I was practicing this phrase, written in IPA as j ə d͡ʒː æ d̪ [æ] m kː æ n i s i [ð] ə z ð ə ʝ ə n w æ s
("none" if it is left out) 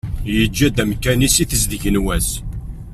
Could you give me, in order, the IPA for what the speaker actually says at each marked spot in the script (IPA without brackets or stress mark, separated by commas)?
æ, θ